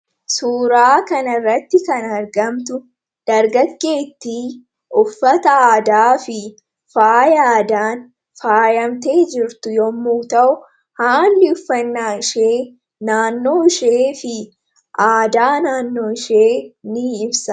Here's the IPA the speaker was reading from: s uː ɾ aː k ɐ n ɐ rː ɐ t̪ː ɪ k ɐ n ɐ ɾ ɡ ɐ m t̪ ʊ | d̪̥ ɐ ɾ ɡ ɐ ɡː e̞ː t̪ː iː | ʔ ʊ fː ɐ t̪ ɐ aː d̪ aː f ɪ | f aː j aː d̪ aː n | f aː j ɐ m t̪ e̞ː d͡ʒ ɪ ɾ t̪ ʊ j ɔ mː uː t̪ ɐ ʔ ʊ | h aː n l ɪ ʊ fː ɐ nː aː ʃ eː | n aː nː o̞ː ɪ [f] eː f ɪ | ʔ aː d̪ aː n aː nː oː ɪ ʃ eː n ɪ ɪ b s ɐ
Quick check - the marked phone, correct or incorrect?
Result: incorrect: ʃ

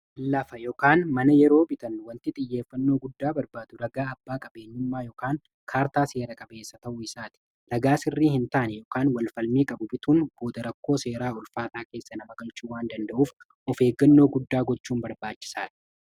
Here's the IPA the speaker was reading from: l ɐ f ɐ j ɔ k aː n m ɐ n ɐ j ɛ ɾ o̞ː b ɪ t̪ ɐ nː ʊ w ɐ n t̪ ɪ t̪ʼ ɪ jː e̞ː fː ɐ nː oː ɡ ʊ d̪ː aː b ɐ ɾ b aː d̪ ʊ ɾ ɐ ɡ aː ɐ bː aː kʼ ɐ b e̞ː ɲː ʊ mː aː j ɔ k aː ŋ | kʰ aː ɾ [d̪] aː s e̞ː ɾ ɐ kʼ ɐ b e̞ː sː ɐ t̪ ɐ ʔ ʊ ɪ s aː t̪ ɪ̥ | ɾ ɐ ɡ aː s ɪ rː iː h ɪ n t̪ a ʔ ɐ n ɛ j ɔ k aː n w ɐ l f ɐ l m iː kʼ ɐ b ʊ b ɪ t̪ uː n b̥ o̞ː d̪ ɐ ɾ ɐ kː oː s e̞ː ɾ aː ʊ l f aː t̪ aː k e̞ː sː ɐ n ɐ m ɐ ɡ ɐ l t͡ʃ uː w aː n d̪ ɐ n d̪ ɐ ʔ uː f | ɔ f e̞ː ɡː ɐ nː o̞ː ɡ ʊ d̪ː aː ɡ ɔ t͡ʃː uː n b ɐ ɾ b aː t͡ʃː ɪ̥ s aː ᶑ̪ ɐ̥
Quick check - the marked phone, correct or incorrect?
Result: incorrect: t̪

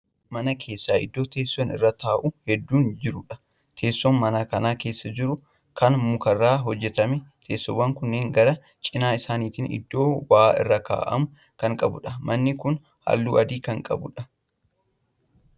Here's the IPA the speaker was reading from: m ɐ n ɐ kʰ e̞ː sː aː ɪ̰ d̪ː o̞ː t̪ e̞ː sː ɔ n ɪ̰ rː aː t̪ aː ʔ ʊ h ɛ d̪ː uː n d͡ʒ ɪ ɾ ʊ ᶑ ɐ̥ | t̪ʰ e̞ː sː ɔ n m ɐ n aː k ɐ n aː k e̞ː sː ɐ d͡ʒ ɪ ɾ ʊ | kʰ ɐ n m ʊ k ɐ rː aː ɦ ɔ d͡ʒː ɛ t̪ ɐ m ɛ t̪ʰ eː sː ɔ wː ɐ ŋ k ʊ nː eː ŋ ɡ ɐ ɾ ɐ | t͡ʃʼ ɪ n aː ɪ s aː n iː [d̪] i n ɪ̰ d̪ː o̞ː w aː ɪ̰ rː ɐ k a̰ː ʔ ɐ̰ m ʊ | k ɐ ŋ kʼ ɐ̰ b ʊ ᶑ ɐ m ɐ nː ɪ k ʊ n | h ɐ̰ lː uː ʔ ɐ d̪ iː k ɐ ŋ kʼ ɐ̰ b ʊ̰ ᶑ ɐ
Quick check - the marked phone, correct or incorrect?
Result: incorrect: t̪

